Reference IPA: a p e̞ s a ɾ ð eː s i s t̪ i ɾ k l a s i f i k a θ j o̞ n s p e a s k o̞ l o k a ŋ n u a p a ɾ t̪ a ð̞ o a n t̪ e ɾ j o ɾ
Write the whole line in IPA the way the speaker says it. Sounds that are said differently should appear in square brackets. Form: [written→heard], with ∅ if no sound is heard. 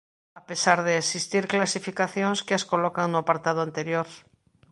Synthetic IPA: a p e̞ s a ɾ ð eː s i s t̪ i ɾ k l a s i f i k a θ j o̞ n s [p→k] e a s k o̞ l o k a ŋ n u a p a ɾ t̪ a ð̞ o a n t̪ e ɾ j o ɾ

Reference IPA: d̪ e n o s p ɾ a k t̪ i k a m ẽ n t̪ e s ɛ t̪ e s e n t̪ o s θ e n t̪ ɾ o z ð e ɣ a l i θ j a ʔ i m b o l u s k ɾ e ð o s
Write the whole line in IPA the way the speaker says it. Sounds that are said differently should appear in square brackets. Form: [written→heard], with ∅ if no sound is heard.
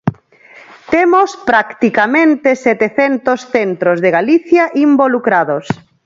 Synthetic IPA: [d̪→t̪] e [n→m] o s p ɾ a k t̪ i k a m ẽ n t̪ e s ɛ t̪ e [s→θ] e n t̪ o s θ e n t̪ ɾ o z ð e ɣ a l i θ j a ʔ i m b o l u [s→∅] k ɾ [e→a] ð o s

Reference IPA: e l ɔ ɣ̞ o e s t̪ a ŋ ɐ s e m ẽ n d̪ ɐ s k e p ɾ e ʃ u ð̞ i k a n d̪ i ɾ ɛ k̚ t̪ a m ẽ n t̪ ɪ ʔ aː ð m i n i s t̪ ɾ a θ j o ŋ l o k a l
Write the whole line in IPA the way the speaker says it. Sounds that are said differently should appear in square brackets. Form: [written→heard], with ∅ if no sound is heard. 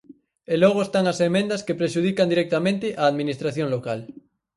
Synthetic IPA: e l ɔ ɣ̞ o e s t̪ a ŋ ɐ s e m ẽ n d̪ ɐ s k e p ɾ e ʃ u ð̞ i k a n d̪ i ɾ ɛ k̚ t̪ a m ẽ n t̪ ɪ ʔ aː ð m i n i s t̪ ɾ a θ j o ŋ l o k a l

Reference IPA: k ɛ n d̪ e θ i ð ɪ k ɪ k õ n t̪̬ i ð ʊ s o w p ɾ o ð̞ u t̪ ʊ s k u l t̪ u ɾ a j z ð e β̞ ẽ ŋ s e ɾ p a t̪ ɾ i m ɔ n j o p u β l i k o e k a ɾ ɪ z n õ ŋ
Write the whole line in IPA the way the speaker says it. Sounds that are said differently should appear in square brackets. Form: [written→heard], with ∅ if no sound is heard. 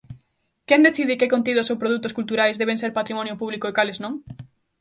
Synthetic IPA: k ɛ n d̪ e θ i ð ɪ k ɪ k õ n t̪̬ i ð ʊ s o w p ɾ o ð̞ u t̪ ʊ s k u l t̪ u ɾ a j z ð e β̞ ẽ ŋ s e ɾ p a t̪ ɾ i m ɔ n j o p u β l i k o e k a [ɾ→l] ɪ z n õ ŋ

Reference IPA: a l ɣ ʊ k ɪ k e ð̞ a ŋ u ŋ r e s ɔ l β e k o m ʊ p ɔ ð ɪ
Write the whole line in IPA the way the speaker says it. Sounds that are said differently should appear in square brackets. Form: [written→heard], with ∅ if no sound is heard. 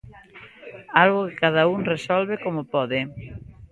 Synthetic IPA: a l ɣ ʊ k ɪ k [e→a] ð̞ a [ŋ→∅] u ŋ r e s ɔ l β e k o m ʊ p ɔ ð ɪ

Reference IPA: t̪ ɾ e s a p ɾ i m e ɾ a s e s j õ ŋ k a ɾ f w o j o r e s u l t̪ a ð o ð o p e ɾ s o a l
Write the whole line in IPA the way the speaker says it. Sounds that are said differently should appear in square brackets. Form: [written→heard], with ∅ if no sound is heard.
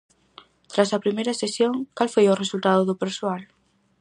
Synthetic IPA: t̪ ɾ [e→a] s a p ɾ i m e ɾ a s e s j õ ŋ k a [ɾ→l] f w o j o r e s u l t̪ a ð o ð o p e ɾ s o a l

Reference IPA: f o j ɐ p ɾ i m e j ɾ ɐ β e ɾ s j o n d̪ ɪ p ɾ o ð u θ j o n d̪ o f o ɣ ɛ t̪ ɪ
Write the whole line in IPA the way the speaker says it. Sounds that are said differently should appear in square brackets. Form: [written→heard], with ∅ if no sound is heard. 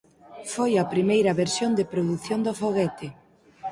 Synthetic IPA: f o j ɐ p ɾ i m e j ɾ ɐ β e ɾ s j o n d̪ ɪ p ɾ o ð u θ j o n d̪ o f o ɣ ɛ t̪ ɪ

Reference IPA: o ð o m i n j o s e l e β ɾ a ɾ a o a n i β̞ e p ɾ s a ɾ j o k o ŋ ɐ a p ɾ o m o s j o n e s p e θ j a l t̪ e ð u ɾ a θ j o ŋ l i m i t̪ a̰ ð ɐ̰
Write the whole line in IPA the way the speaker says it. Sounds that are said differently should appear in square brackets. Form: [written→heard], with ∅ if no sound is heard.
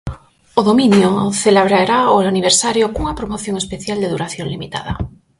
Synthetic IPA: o ð o m i n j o [s→θ] e l e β ɾ a ɾ a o a n i β̞ e [p→∅] ɾ s a ɾ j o k [o→u] ŋ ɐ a p ɾ o m o [s→θ] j o [n→ŋ] e s p e θ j a l [t̪→d̪] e ð u ɾ a θ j o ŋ l i m i t̪ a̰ ð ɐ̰

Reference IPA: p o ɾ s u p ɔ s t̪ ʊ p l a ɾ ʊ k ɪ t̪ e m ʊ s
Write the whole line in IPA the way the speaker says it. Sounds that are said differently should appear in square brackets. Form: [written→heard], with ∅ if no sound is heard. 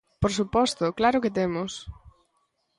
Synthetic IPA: p o ɾ s u p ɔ s t̪ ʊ [p→k] l a ɾ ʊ k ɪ t̪ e m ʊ s

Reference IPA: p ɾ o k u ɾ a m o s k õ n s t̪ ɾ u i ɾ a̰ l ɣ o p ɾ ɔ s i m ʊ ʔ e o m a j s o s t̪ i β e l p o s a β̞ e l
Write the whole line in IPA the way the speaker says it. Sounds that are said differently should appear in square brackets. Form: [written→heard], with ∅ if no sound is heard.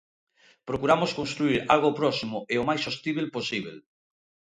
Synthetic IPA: p ɾ o k u ɾ a m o s k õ n s t̪ ɾ u i ɾ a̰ l ɣ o p ɾ ɔ s i m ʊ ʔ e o m a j s o s t̪ i β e l p o s [a→i] β̞ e l

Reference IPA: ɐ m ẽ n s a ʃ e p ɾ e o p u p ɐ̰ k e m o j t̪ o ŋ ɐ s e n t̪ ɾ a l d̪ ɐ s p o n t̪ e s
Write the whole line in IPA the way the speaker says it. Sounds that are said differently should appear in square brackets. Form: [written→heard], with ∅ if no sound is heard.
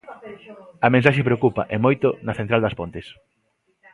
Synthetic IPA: ɐ m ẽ n s a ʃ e p ɾ e o [p→k] u p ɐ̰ [k→ʔ] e m o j t̪ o [ŋ→n] ɐ [s→θ] e n t̪ ɾ a l d̪ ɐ s p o n t̪ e s

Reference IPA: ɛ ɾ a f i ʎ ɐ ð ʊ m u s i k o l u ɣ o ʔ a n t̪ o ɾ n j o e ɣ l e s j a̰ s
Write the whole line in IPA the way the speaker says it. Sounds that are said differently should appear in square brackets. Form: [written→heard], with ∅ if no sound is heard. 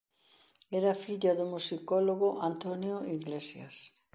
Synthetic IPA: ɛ ɾ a f i ʎ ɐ ð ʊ m u s i k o l [u→o] ɣ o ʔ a n t̪ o [ɾ→∅] n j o [e→i] ɣ l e s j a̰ s

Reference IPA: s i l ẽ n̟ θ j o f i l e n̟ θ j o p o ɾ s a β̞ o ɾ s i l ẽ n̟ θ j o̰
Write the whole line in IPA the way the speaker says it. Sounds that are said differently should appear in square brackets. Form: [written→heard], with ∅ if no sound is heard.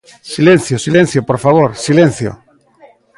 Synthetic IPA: s i l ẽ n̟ θ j o [f→s] i l e n̟ θ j o p o ɾ [s→f] a β̞ o ɾ s i l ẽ n̟ θ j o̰

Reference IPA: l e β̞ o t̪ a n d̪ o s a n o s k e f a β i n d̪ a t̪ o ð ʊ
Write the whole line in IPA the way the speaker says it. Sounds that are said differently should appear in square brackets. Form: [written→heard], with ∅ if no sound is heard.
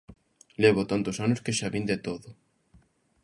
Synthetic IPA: l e β̞ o t̪ a n [d̪→t̪] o s a n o s k e [f→ʃ] a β i n d̪ [a→e] t̪ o ð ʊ

